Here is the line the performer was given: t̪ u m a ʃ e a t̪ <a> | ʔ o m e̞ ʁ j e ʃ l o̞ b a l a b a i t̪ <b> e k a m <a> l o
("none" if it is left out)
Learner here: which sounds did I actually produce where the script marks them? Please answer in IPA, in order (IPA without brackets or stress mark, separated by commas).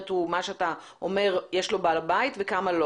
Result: a, v, a